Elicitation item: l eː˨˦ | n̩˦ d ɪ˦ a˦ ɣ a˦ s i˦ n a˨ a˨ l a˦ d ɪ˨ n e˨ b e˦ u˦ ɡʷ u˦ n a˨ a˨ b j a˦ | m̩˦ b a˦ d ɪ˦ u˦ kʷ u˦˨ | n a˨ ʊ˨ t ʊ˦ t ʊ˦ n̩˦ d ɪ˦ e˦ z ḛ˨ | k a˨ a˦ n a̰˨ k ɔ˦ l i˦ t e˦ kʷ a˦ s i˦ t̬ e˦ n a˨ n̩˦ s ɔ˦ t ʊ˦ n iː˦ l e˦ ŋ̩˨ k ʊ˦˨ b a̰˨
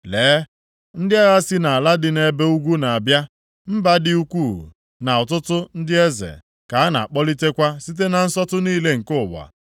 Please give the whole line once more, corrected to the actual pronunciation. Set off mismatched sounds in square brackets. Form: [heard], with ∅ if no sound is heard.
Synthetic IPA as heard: l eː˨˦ | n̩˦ d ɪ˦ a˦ ɣ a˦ s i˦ n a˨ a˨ l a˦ d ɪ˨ n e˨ b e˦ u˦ ɡʷ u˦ n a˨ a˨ b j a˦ | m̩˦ b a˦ d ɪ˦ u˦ kʷ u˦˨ | n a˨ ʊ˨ t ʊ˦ t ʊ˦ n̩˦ d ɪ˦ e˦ z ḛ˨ | k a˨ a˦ n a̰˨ [k͡p] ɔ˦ l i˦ t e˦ kʷ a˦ s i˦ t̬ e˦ n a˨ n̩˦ s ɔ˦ t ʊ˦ n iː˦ l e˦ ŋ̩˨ k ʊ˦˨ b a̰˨